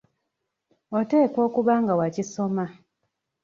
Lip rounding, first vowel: rounded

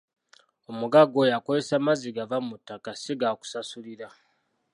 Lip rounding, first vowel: rounded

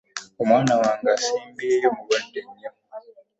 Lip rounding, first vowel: rounded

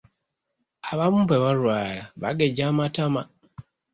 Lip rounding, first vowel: unrounded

